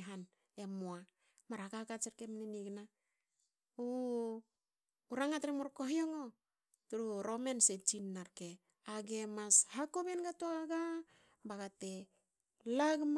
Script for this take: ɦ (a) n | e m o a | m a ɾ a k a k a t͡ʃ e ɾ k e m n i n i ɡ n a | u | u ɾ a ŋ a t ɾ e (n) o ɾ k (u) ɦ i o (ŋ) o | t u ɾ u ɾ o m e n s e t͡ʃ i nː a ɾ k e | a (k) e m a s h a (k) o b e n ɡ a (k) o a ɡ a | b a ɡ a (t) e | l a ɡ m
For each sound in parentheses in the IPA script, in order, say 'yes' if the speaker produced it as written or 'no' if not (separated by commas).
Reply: yes, no, no, yes, no, yes, no, yes